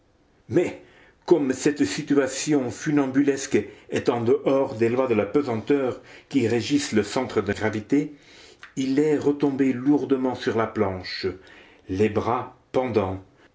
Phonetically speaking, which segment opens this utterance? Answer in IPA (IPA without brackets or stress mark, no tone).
m